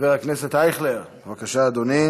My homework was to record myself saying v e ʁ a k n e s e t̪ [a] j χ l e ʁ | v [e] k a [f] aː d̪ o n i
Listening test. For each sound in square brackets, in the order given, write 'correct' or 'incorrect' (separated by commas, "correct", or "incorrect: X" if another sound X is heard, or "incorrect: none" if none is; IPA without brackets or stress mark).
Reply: correct, incorrect: a, incorrect: ʃ